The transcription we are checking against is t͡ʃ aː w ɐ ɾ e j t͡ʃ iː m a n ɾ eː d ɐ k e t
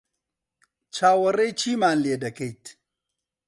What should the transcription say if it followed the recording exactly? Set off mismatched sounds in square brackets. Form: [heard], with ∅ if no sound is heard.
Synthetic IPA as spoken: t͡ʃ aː w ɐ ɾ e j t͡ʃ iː m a n [l] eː d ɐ k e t